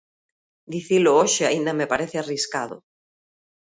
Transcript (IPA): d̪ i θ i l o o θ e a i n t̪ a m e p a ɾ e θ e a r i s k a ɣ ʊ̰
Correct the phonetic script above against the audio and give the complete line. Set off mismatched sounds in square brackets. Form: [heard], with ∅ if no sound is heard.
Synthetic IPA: d̪ i θ i l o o [ʃ] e a i n [d̪] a m e p a ɾ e θ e a r i s k a [ð] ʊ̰